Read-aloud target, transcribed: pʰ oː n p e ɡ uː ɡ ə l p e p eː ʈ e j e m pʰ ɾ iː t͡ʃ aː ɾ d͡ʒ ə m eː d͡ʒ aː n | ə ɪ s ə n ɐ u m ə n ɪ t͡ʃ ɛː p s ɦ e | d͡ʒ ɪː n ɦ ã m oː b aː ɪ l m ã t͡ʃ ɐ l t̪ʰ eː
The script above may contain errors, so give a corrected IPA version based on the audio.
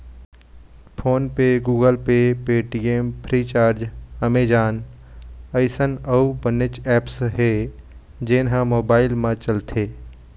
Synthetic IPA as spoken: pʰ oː n p e ɡ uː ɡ ə l p e p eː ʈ i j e m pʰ ɾ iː t͡ʃ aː ɾ d͡ʒ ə m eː d͡ʒ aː n | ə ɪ s ə n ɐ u b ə n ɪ t͡ʃ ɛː p s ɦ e | d͡ʒ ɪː n ɦ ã m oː b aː ɪ l m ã t͡ʃ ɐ l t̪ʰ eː